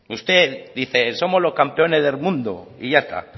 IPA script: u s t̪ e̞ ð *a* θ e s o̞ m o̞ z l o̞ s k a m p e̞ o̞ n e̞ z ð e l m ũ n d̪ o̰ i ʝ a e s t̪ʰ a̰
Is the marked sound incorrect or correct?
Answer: incorrect: i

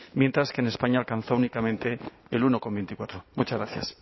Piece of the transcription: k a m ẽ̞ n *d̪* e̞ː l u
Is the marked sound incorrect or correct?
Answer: incorrect: t̪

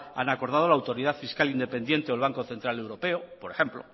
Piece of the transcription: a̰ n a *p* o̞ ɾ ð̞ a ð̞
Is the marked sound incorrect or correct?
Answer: incorrect: k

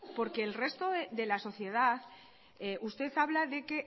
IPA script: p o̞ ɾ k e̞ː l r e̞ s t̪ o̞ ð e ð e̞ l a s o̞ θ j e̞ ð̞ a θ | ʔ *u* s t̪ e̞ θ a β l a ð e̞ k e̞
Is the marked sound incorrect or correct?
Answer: correct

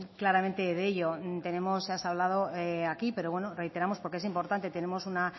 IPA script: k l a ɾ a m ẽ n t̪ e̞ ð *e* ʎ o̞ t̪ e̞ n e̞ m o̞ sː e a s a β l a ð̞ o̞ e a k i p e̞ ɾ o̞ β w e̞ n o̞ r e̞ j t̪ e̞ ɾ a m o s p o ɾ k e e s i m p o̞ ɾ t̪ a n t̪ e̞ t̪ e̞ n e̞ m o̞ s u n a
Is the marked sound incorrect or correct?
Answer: correct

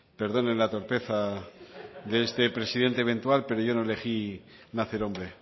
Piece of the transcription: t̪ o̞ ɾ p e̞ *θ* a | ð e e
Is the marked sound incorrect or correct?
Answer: correct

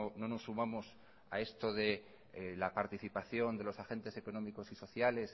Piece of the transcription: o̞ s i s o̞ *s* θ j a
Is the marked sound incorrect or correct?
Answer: incorrect: none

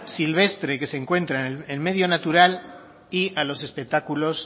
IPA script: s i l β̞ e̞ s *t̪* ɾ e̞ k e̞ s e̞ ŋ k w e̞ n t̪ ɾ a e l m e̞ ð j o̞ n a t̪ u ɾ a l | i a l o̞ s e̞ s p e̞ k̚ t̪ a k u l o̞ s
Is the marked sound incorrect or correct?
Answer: correct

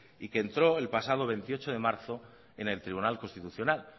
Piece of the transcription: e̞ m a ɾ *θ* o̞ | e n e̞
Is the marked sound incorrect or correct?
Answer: correct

